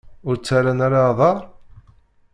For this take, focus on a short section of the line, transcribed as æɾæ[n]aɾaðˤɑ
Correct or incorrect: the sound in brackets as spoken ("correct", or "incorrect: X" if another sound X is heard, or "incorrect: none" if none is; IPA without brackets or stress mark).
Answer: correct